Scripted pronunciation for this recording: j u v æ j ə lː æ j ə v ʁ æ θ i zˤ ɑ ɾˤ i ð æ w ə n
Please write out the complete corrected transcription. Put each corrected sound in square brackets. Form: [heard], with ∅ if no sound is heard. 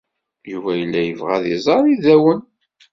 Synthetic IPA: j u v æ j ə lː æ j ə v ʁ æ [ð] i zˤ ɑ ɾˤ i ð æ w ə n

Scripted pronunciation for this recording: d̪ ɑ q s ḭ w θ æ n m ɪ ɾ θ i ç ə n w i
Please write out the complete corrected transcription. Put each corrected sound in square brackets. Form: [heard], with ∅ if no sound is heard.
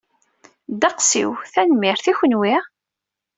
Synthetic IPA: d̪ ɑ q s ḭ w θ æ n m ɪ ɾ θ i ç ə n w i

